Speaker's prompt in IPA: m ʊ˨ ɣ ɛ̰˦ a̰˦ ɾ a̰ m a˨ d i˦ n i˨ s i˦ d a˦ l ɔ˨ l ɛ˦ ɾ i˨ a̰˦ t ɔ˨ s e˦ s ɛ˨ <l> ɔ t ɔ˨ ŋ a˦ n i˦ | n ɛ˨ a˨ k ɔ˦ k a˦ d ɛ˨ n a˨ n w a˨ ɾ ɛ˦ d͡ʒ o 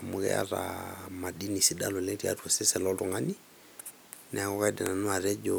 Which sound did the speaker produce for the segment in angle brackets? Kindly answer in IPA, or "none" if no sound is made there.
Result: l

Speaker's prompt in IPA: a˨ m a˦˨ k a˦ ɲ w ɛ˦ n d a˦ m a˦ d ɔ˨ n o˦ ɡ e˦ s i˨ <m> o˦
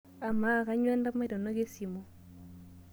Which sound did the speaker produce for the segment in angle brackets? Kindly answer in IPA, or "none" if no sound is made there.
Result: m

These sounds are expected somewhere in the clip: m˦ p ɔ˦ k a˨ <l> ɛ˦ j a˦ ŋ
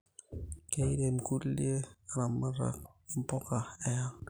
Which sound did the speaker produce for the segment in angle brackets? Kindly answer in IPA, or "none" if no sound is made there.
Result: none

